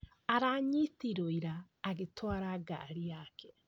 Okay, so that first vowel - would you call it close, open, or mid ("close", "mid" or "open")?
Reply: open